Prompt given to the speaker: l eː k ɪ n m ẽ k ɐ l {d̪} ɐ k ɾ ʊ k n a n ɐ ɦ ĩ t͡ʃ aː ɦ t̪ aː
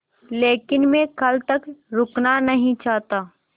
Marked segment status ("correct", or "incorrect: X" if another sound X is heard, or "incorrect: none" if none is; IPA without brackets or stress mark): incorrect: t̪